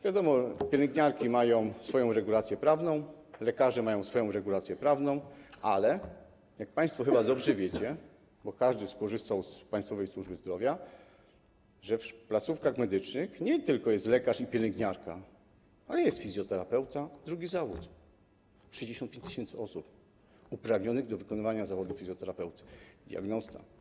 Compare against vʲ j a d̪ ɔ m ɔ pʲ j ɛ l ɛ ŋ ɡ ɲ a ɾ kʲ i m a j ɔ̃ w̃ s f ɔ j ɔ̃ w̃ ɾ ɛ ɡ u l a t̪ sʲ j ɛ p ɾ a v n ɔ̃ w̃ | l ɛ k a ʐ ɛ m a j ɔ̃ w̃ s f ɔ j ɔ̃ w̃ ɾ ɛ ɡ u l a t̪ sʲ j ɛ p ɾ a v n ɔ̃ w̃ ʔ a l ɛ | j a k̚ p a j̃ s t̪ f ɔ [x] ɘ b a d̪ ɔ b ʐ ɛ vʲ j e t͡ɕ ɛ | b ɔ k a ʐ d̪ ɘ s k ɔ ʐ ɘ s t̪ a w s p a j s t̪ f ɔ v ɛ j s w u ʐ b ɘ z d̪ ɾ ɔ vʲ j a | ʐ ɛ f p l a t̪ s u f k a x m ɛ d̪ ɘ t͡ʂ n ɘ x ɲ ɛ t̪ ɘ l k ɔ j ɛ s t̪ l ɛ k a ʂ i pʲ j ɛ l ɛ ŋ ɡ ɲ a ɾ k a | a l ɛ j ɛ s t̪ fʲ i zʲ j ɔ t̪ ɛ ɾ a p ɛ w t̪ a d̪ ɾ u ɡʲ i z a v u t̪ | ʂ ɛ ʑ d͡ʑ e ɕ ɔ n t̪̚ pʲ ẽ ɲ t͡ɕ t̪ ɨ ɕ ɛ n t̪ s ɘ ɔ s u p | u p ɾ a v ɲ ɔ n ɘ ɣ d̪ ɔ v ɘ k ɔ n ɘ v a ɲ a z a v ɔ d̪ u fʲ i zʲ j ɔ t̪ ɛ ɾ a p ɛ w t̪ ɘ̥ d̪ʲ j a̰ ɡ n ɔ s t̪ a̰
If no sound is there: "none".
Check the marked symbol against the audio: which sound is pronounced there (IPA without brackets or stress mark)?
x